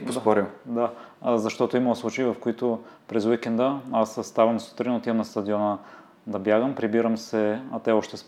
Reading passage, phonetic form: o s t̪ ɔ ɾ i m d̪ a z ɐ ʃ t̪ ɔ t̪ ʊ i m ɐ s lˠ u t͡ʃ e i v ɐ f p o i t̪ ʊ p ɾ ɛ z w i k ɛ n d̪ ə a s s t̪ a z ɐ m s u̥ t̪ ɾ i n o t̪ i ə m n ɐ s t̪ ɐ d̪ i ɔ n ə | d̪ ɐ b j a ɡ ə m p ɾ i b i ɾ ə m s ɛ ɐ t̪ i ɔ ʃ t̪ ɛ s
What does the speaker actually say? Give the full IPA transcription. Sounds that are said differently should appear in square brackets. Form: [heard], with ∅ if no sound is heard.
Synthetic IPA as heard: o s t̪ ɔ ɾ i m d̪ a z ɐ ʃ t̪ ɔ t̪ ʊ i m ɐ s lˠ u t͡ʃ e i v ɐ f [k] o i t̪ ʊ p ɾ ɛ z w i k ɛ n d̪ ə a s s t̪ a [v] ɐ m s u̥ t̪ ɾ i n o t̪ i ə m n ɐ s t̪ ɐ d̪ i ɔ n ə | d̪ ɐ b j a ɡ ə m p ɾ i b i ɾ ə m s ɛ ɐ t̪ [ɛ] ɔ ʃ t̪ ɛ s